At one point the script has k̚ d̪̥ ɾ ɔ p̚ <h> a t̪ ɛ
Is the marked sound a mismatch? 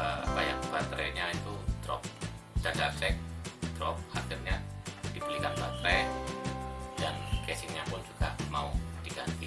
no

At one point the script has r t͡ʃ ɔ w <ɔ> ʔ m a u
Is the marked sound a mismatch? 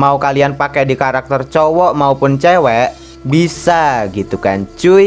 no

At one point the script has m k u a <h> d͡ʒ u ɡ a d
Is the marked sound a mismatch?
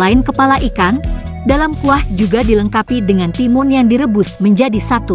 no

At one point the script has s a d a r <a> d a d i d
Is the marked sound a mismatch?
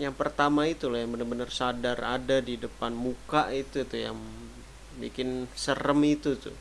no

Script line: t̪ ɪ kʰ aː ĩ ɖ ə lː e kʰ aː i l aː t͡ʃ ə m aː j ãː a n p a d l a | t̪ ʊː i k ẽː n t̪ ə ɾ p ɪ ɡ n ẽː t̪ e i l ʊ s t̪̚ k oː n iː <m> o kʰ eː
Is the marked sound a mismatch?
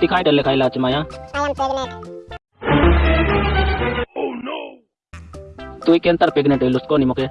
no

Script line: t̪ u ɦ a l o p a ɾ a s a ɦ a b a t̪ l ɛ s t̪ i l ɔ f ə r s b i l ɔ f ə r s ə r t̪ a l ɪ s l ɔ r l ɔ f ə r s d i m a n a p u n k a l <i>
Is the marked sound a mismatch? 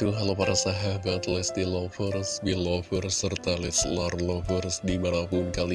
no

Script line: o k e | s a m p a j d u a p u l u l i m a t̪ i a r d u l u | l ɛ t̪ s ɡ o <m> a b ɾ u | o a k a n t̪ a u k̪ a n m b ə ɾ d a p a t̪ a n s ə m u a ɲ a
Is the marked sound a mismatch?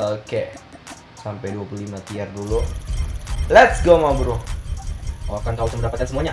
no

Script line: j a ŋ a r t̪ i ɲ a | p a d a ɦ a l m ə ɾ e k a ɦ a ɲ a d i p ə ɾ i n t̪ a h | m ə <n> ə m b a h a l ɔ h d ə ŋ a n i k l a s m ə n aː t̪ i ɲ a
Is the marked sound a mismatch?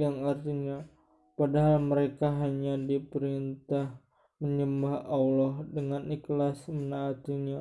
yes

